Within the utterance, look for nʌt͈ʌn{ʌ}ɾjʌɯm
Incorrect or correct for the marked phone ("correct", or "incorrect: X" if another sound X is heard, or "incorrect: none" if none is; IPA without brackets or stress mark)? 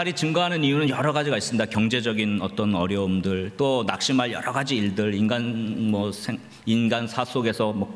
correct